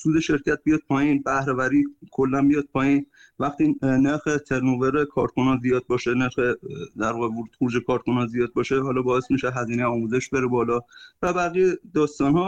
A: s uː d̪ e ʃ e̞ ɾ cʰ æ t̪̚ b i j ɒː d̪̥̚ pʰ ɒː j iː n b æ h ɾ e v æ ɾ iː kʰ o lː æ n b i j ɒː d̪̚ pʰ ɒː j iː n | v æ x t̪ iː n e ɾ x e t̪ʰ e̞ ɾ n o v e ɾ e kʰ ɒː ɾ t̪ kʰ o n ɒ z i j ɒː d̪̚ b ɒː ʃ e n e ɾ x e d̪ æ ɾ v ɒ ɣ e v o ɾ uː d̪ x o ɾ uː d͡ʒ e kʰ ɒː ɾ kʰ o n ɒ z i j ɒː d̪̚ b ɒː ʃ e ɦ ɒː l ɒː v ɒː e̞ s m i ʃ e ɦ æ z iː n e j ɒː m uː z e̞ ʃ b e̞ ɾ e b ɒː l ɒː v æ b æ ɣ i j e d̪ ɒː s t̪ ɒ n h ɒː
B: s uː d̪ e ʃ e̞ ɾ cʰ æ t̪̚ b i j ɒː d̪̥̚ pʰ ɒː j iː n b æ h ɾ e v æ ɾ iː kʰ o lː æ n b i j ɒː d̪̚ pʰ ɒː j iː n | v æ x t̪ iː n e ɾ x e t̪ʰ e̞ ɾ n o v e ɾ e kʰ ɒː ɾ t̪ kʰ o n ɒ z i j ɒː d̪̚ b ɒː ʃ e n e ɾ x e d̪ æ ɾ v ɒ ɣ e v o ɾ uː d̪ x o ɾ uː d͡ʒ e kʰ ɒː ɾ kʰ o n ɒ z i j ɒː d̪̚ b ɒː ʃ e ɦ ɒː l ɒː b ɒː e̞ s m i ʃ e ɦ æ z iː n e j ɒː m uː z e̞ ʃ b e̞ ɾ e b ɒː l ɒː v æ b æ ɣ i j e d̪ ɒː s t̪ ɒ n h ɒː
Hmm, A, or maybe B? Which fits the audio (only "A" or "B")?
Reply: B